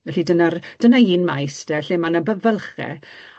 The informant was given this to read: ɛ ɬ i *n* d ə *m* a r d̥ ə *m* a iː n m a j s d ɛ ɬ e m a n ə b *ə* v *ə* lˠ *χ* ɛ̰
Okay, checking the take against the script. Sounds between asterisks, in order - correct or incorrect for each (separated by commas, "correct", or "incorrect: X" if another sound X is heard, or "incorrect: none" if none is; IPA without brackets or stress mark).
incorrect: none, incorrect: n, incorrect: n, correct, correct, correct